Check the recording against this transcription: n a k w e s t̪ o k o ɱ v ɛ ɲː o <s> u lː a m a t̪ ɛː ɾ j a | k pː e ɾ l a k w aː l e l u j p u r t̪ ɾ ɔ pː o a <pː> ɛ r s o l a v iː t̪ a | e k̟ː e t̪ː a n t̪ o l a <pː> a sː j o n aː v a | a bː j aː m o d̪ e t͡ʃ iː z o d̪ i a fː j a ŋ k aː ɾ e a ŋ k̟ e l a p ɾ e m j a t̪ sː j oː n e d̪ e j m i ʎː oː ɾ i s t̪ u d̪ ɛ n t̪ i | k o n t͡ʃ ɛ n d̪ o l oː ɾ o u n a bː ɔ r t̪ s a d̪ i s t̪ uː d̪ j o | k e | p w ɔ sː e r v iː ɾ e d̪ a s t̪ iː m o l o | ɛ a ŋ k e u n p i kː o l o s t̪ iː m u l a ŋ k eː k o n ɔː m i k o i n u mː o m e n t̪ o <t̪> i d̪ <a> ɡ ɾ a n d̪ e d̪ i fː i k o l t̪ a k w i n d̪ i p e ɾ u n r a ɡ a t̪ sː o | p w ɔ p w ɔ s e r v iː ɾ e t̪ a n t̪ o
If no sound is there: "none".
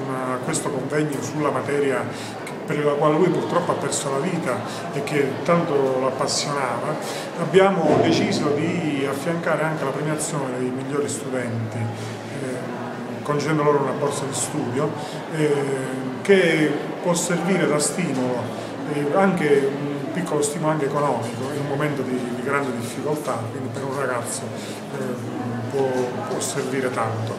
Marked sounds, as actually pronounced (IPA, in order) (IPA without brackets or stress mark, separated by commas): s, pː, pː, d̪, i